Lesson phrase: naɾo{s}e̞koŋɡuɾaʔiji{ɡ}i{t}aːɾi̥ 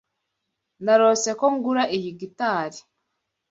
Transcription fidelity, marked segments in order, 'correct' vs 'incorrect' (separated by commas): correct, correct, correct